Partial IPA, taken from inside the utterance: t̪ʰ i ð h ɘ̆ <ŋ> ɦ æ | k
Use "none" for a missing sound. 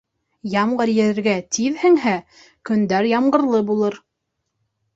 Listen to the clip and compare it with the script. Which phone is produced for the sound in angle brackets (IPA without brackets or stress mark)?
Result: ŋ